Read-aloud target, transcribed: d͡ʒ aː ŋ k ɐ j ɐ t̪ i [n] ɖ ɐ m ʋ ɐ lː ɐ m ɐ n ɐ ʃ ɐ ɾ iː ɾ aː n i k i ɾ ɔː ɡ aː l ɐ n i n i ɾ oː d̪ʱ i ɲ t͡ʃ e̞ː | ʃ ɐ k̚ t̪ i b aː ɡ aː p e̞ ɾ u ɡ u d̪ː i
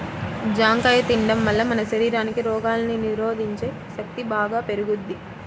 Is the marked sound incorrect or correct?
incorrect